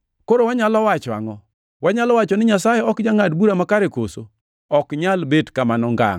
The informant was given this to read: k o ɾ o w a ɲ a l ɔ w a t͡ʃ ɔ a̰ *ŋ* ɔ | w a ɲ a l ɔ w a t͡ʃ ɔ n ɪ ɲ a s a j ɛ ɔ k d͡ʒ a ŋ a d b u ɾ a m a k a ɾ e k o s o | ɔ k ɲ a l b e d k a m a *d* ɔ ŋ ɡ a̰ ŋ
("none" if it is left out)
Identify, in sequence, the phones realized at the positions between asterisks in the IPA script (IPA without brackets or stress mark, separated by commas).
ŋ, n